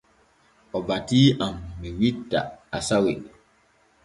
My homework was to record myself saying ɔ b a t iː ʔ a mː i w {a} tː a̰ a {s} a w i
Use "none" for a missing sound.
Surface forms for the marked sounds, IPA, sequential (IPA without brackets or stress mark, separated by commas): i, s